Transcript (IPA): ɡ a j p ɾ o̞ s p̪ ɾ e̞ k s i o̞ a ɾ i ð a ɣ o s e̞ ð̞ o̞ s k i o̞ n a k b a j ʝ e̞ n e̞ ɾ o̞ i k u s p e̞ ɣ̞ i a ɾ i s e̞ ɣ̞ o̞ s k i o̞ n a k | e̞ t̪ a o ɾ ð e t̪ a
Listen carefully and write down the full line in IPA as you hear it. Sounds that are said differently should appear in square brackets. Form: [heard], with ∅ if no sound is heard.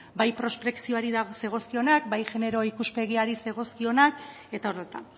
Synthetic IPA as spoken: [b] a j p ɾ o̞ s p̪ ɾ e̞ k s i o̞ a ɾ i ð a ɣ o s e̞ [ɣ̞] o̞ s k i o̞ n a k b a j ʝ e̞ n e̞ ɾ o̞ i k u s p e̞ ɣ̞ i a ɾ i s e̞ ɣ̞ o̞ s k i o̞ n a k | e̞ t̪ a o ɾ ð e t̪ a